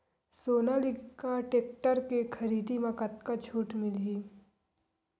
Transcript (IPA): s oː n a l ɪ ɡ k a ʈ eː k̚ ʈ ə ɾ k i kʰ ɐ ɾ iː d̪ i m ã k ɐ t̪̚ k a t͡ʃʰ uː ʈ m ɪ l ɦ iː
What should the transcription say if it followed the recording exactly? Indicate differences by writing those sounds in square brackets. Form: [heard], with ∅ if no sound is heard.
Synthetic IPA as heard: s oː n a l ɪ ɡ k a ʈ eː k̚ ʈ ə ɾ k [e] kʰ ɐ ɾ iː d̪ i m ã k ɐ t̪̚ k a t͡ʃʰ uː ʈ m ɪ l ɦ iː